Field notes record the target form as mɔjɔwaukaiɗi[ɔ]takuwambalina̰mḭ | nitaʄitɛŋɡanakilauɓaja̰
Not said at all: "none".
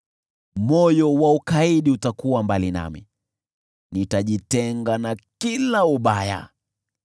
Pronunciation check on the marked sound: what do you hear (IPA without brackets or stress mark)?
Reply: u